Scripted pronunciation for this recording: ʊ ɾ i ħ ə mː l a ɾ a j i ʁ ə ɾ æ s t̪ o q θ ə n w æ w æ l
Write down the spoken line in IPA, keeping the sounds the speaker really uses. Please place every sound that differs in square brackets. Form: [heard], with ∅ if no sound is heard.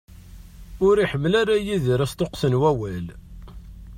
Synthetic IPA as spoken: ʊ ɾ i ħ ə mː l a ɾ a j i [ð] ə ɾ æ s t̪ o q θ ə n w æ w æ l